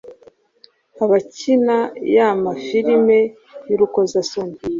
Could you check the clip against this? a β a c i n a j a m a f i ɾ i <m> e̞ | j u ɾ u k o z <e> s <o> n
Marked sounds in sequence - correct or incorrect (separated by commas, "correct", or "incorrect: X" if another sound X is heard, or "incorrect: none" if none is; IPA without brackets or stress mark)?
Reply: correct, incorrect: a, correct